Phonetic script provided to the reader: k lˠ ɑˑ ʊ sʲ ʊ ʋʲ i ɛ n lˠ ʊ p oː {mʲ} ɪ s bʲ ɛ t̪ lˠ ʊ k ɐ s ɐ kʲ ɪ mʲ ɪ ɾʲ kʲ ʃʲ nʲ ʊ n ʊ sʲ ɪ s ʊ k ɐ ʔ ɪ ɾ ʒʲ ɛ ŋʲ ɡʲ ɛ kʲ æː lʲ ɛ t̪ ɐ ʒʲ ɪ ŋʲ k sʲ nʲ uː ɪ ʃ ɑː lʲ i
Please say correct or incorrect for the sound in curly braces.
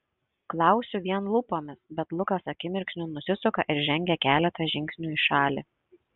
correct